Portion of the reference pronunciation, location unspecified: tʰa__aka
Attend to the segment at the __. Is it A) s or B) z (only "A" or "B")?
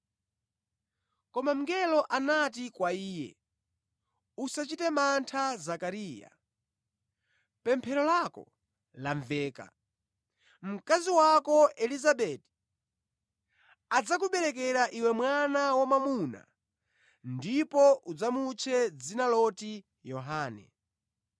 B